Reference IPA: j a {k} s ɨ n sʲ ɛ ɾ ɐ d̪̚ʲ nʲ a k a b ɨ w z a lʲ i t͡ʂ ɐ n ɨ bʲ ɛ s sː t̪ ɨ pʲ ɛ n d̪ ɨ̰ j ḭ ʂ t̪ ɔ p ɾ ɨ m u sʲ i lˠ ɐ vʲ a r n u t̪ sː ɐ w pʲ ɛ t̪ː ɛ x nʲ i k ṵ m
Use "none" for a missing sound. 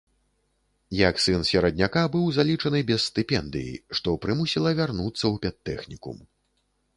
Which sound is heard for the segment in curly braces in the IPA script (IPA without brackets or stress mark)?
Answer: k